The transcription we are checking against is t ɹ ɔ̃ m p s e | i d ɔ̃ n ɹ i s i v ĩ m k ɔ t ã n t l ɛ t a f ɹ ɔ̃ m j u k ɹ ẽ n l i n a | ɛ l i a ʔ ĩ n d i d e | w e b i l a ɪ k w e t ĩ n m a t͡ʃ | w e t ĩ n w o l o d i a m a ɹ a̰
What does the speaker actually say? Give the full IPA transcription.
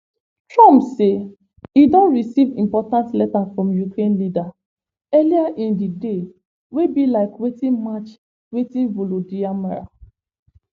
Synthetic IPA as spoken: t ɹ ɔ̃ m p s e | i d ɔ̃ n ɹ i s i v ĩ m p ɔ t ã n t l ɛ t a f ɹ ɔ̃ m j u k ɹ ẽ n l i d a | ɛ l i a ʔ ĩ n d i d e | w e b i l a ɪ k w e t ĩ n m a t͡ʃ | w e t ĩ n v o l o d i a m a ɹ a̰

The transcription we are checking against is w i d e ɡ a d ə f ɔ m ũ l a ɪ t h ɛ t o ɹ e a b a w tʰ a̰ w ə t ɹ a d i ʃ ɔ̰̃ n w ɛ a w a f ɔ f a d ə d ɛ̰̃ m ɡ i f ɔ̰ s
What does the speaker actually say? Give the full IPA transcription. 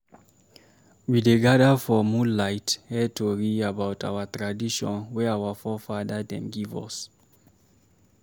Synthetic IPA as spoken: w i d e ɡ a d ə f ɔ m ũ l a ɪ t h ɛ t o ɹ i a b a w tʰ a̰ w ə t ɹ a d i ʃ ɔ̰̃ n w ɛ a w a f ɔ f a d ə d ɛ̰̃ m ɡ i v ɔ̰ s

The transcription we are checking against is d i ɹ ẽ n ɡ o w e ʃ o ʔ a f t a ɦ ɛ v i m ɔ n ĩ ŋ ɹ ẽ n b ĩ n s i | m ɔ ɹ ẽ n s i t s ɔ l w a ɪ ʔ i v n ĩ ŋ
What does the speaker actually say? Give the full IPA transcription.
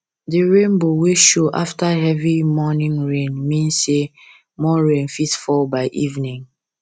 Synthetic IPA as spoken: d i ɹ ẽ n b o w e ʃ o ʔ a f t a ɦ ɛ v i m ɔ n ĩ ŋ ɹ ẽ n m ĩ n s e | m ɔ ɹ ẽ n f i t f ɔ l b a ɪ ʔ i v n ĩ ŋ

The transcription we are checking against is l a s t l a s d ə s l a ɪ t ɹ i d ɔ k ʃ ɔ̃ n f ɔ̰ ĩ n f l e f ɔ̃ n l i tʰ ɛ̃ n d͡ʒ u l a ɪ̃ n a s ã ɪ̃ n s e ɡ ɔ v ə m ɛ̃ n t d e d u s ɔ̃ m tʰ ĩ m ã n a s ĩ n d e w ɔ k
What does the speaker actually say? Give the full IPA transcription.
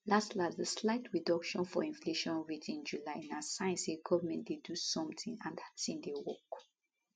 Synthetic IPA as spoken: l a s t l a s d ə s l a ɪ t ɹ i d ɔ k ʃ ɔ̃ n f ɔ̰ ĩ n f l e ʃ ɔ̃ n ɹ i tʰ ĩ n d͡ʒ u l a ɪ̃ n a s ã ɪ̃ n s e ɡ ɔ v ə m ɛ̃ n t d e d u s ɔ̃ m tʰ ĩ ŋ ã n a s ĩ n d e w ɔ k

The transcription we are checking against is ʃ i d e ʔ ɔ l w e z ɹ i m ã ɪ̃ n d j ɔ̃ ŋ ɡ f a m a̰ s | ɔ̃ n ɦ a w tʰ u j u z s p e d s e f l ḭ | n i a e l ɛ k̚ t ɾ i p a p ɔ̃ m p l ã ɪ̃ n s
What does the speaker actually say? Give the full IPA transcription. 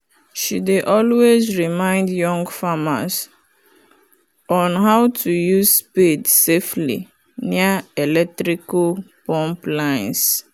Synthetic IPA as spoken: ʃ i d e ʔ ɔ l w e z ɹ i m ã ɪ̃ n d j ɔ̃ ŋ ɡ f a m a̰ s | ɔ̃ n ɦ a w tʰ u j u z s p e d s e f l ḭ | n i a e l ɛ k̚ t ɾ i k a p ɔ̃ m p l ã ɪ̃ n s

